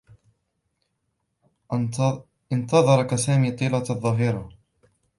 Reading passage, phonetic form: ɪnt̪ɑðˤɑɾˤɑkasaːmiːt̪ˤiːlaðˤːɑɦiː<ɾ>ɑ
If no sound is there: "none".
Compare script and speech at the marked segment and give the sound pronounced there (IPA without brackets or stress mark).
ɾ